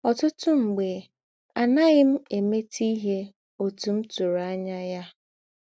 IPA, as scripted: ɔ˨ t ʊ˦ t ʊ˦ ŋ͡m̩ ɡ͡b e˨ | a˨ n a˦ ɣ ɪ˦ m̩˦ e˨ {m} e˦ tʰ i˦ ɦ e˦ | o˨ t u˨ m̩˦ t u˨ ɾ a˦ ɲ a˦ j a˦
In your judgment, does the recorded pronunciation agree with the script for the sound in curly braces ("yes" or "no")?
yes